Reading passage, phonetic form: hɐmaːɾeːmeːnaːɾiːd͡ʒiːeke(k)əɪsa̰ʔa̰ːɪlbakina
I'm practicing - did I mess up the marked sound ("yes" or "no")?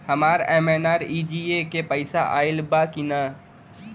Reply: yes